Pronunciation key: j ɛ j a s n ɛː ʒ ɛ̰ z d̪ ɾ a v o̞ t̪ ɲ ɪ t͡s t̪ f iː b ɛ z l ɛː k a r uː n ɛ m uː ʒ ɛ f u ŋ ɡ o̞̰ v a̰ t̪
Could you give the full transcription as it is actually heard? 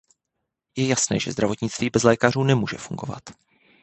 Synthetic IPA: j ɛ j a s n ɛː ʒ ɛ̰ z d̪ ɾ a v o̞ t̪ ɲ ɪ t͡s t̪ v iː b ɛ z l ɛː k a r uː n ɛ m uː ʒ ɛ f u ŋ ɡ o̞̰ v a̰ t̪